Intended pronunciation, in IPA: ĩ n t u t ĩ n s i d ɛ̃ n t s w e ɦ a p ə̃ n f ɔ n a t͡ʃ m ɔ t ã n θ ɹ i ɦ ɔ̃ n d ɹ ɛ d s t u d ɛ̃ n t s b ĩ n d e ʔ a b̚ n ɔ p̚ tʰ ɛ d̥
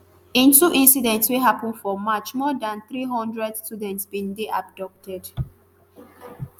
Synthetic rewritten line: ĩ n t u ʔ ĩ n s i d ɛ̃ n t s w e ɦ a p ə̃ n f ɔ m a t͡ʃ m ɔ d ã n θ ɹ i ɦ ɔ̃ n d ɹ ɛ d s t u d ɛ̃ n t s b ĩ n d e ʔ a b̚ d ɔ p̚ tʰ ɛ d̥